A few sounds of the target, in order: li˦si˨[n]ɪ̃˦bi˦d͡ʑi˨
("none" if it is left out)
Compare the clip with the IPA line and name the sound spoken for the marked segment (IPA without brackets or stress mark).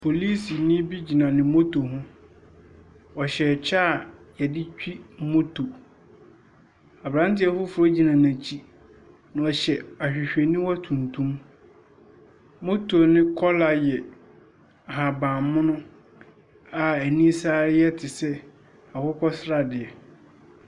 n